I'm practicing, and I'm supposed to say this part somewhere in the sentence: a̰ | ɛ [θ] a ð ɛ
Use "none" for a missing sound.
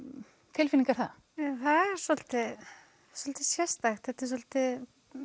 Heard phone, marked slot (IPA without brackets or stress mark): θ